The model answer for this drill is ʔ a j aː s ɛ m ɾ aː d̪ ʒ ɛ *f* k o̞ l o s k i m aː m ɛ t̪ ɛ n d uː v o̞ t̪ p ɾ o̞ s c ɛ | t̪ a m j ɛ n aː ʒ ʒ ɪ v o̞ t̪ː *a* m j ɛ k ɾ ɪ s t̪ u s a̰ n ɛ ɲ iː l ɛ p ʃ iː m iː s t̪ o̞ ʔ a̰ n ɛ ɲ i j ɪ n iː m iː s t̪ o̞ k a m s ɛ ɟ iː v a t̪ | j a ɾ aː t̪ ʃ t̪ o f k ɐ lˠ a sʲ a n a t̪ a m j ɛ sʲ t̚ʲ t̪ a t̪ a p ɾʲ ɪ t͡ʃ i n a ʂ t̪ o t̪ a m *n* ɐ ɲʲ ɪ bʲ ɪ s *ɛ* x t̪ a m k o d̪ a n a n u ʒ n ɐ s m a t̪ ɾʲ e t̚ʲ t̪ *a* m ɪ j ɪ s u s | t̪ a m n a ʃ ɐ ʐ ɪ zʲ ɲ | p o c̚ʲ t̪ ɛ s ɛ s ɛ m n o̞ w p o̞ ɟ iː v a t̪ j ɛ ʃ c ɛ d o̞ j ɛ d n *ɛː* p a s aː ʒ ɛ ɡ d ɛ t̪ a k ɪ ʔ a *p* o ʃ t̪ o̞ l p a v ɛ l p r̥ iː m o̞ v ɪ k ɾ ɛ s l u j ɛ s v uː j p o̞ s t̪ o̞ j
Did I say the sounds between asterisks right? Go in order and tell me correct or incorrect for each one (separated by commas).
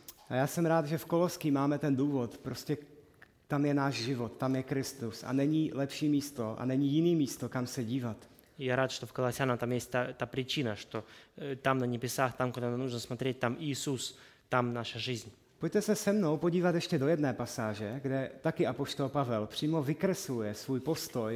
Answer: correct, correct, correct, incorrect, correct, correct, correct